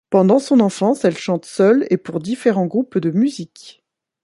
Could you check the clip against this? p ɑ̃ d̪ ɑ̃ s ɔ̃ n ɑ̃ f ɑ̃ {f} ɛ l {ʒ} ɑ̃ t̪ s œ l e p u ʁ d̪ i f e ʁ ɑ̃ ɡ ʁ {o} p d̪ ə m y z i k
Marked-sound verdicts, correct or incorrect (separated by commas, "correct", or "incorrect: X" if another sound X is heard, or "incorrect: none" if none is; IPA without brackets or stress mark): incorrect: s, incorrect: ʃ, incorrect: u